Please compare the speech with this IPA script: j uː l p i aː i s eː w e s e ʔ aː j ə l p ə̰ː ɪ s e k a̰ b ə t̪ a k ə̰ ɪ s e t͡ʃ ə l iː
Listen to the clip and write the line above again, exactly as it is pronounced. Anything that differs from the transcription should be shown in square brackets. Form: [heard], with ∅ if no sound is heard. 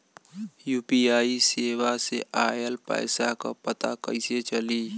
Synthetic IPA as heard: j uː [∅] p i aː i s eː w [a] s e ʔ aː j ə l p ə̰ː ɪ s [a] k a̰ [p] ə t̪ a k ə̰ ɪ s e t͡ʃ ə l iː